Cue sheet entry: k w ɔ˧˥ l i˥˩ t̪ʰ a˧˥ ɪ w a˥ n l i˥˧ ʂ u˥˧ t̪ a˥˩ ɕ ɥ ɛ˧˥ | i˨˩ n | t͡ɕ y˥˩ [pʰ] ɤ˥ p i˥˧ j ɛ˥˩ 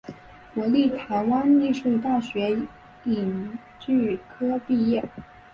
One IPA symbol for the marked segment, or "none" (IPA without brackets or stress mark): kʰ